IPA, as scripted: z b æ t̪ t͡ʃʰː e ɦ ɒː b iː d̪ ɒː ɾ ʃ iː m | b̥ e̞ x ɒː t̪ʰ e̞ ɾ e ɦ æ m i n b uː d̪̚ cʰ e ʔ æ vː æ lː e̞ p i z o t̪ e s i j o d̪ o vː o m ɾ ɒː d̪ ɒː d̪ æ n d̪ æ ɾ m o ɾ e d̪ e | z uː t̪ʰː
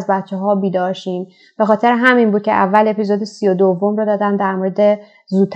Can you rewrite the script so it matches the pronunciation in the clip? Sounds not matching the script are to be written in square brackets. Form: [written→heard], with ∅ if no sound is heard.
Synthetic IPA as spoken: z b æ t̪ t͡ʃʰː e ɦ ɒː b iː d̪ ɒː ɾ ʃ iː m | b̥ e̞ x ɒː t̪ʰ e̞ ɾ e ɦ æ m i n b uː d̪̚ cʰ e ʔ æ vː æ [lː→l] e̞ p i z o [t̪→d̪] e s i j o d̪ o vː o m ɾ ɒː d̪ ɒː d̪ æ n d̪ æ ɾ m o ɾ e d̪ e | z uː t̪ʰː